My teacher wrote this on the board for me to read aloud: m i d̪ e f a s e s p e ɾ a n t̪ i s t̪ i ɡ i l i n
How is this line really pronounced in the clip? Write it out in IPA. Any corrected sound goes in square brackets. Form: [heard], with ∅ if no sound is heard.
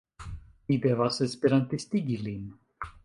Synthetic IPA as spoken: m i d̪ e [v] a s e s p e ɾ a n t̪ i s t̪ i ɡ i l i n